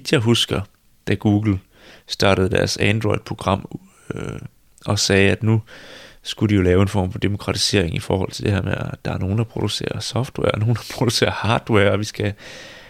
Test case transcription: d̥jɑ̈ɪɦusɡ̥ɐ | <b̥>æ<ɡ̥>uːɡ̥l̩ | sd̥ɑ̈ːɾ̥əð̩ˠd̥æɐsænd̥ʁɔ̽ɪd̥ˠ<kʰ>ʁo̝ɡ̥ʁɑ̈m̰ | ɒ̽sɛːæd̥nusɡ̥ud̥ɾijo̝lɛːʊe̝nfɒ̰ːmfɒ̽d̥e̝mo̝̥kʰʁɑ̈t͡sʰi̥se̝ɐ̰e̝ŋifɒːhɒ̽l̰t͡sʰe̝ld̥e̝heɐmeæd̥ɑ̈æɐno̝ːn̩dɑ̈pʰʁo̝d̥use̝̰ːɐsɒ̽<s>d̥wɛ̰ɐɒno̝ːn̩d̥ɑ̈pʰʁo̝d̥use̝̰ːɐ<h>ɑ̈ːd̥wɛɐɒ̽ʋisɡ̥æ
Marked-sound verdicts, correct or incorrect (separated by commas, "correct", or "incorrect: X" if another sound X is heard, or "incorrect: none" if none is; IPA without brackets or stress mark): incorrect: d̥, correct, incorrect: pʰ, incorrect: f, correct